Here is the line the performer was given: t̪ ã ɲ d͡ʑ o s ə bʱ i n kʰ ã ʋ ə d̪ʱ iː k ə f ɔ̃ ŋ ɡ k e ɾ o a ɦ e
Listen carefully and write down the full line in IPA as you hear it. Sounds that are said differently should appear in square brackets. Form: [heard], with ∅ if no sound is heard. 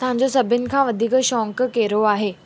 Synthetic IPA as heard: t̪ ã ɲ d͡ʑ o s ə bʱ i n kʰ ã ʋ ə d̪ʱ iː k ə [ɕ] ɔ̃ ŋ [k] k e ɾ o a ɦ e